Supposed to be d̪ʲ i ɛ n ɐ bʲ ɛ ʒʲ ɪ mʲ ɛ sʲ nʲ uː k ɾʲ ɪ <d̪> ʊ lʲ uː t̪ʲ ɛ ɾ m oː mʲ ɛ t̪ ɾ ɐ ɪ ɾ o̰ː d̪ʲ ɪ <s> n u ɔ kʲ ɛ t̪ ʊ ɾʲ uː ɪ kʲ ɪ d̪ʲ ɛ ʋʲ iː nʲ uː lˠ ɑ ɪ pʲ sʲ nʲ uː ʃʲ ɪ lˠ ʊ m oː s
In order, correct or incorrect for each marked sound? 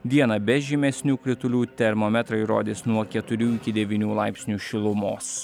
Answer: incorrect: t̪, correct

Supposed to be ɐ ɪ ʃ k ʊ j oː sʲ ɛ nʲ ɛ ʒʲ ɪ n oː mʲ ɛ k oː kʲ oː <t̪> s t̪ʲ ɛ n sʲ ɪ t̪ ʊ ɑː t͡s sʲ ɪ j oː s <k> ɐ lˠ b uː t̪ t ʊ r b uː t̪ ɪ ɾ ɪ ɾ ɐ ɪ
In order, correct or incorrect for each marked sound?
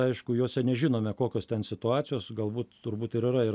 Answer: incorrect: none, incorrect: ɡ

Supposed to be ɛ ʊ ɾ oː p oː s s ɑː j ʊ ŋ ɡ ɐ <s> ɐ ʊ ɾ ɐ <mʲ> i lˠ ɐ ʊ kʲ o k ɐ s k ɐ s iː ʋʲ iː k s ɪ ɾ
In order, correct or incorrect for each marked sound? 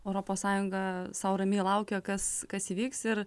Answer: correct, correct

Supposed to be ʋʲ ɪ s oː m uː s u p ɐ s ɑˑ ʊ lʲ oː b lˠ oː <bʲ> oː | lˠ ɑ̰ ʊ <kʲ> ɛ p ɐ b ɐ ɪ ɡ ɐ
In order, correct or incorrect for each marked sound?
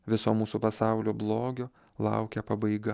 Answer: incorrect: ɡʲ, correct

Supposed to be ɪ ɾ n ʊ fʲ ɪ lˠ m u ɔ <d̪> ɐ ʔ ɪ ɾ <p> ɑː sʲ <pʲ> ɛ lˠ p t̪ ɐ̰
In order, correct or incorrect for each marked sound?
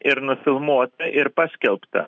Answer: incorrect: t̪, correct, incorrect: kʲ

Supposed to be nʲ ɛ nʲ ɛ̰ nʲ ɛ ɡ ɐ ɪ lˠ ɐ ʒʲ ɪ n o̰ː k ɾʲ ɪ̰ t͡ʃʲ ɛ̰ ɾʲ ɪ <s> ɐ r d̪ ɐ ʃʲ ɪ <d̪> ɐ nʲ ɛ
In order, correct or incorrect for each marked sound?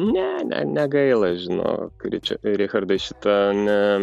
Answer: incorrect: x, incorrect: t̪

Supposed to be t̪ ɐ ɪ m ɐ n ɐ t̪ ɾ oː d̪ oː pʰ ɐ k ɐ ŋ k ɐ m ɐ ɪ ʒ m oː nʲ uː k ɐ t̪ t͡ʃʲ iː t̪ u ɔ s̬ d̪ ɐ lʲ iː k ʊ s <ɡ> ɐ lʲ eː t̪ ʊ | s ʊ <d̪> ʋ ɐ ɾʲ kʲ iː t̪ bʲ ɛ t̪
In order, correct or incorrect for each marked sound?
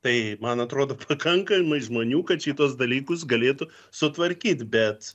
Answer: correct, incorrect: t̪

